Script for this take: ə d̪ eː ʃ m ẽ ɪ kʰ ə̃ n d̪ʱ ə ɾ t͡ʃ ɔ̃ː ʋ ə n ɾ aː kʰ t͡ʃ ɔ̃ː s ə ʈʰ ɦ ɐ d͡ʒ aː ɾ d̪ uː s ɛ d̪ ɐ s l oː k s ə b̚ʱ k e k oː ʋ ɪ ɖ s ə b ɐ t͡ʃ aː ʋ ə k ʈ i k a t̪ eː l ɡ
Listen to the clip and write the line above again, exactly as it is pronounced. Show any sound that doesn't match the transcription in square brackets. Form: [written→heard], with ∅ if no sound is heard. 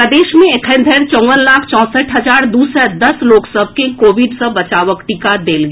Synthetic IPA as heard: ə d̪ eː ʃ m ẽ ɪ kʰ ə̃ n d̪ʱ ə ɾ t͡ʃ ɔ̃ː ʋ ə n [ɾ→l] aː kʰ t͡ʃ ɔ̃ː s ə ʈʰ ɦ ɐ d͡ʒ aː ɾ d̪ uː s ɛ d̪ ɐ s l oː k s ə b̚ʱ k e k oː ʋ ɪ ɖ s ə b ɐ t͡ʃ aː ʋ ə k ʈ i k a [t̪→d̪] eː l ɡ